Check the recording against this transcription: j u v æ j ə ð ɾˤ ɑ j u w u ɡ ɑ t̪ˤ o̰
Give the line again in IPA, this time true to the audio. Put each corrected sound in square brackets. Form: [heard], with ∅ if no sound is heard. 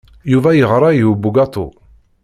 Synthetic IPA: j u v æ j ə [ʁ] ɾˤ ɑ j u [b] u ɡ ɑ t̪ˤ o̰